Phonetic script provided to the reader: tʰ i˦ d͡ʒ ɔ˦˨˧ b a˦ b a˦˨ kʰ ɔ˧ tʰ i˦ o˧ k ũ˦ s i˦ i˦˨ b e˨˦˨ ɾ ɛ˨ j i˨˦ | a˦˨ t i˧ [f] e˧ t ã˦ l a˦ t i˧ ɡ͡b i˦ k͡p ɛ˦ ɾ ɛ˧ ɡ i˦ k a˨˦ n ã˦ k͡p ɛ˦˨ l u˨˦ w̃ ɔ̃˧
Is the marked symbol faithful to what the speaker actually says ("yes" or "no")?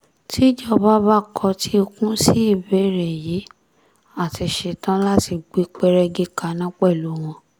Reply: no